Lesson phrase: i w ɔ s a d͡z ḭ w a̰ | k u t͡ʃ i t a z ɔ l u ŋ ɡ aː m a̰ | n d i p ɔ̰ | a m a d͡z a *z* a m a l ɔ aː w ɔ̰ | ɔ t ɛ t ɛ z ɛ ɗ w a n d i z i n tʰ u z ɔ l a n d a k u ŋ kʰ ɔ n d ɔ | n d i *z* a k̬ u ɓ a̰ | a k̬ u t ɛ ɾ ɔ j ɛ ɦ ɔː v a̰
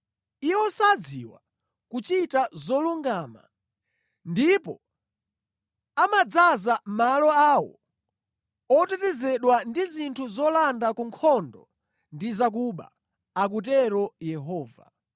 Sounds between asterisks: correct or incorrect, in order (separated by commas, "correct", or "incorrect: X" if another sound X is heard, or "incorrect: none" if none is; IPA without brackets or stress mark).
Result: correct, correct